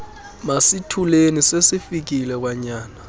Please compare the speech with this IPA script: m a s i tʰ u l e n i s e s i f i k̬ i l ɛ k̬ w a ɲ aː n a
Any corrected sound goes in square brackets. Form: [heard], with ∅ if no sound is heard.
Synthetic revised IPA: m a s i tʰ u l e n i s e s i f i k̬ i l ɛ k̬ w a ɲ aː n a